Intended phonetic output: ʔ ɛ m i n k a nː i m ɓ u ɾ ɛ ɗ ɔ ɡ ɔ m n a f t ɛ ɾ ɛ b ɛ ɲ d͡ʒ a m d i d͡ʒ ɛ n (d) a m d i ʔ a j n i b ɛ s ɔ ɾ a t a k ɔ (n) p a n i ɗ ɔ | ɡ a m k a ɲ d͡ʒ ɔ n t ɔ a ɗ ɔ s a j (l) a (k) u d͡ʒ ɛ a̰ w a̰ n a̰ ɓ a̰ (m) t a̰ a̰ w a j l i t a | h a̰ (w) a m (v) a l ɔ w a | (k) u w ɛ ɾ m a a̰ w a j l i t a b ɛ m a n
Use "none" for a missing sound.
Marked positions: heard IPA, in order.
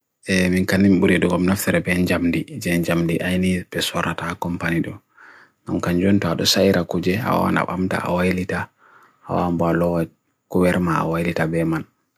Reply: d͡ʒ, m, ɾ, k, m, w, b, k

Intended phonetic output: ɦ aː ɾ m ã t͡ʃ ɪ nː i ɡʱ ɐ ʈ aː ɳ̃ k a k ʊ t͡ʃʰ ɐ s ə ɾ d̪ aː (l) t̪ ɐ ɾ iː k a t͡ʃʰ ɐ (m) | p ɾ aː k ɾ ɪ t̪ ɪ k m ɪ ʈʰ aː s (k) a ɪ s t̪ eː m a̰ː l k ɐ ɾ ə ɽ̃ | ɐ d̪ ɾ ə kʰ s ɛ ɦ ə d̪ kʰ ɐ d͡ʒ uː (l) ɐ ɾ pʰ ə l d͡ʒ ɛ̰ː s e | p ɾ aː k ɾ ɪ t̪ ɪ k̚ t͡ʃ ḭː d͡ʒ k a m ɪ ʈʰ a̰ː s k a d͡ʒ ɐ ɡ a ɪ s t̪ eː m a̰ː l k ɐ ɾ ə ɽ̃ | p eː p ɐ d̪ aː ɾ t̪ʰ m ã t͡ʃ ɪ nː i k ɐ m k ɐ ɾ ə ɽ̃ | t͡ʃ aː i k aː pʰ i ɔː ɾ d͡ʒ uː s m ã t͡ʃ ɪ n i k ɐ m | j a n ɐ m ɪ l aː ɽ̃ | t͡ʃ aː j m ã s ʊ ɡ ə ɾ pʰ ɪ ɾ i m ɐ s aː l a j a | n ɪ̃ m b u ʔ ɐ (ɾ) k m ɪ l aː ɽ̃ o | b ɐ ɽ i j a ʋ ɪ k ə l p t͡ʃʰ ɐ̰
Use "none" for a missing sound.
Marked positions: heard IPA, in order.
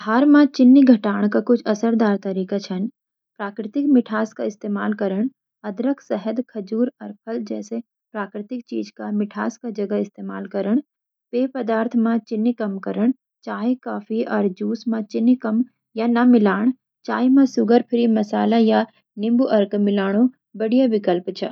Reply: ɾ, n, k, ɾ, ɾ

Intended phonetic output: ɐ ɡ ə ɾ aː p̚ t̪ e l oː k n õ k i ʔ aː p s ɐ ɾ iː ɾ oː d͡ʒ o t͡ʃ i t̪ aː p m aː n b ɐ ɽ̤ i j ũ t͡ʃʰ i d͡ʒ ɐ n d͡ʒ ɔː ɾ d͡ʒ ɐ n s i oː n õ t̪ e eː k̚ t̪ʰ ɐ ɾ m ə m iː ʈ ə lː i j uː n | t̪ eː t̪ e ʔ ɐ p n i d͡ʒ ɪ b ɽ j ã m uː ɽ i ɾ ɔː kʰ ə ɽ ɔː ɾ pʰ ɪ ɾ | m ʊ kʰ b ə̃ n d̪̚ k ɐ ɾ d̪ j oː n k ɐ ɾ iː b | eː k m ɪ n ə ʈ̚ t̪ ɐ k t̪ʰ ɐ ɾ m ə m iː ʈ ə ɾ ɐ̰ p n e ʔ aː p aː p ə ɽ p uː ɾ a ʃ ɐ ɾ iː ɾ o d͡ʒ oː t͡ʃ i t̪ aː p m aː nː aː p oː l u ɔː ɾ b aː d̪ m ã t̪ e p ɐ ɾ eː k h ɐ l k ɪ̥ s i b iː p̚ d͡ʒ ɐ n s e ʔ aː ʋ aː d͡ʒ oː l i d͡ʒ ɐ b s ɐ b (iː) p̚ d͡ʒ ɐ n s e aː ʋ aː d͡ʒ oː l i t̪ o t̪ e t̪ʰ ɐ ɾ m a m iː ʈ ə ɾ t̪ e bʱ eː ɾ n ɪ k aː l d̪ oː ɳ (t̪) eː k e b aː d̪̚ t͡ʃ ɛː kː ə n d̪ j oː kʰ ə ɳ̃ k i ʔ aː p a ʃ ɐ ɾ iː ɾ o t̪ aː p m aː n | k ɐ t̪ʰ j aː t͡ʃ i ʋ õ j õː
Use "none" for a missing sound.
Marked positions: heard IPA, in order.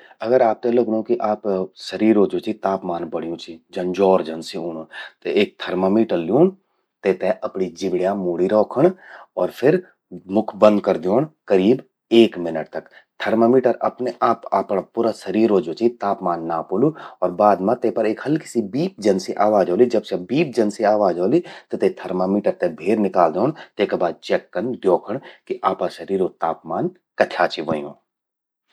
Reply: iː, t̪

